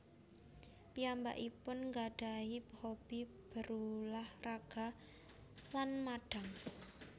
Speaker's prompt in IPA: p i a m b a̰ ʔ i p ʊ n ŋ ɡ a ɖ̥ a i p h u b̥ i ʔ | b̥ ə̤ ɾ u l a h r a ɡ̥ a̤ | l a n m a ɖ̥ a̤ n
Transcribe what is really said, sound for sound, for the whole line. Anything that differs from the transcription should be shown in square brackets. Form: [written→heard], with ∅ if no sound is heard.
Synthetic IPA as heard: p i a m b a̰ ʔ i p ʊ n ŋ ɡ a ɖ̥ a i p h [u→o] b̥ i [ʔ→∅] | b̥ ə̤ ɾ u l a h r a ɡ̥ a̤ | l a n m a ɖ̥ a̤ [n→ŋ]